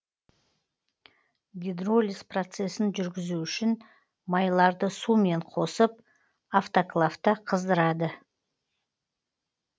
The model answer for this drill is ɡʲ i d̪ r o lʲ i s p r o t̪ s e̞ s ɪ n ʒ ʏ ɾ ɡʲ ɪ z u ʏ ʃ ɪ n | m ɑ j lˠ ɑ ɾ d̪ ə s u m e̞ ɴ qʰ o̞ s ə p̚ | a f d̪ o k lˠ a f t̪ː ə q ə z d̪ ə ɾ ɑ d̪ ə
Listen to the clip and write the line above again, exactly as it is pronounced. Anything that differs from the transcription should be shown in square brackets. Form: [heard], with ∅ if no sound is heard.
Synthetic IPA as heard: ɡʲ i d̪ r o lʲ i s p r o t̪ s e̞ s ɪ n ʒ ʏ ɾ ɡʲ ɪ z u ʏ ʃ ɪ n | m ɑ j lˠ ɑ ɾ d̪ ə s u m e̞ ɴ qʰ o̞ s ə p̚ | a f [t̪] o k lˠ a f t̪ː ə [qʰ] ə z d̪ ə ɾ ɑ d̪ ə